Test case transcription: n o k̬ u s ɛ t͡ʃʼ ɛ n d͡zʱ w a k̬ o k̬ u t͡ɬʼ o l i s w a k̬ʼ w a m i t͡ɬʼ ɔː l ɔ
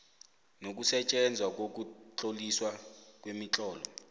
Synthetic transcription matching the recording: n o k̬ u s ɛ t͡ʃʼ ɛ n d͡zʱ w a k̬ o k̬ u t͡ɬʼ o l i s w a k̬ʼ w e m i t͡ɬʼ ɔː l ɔ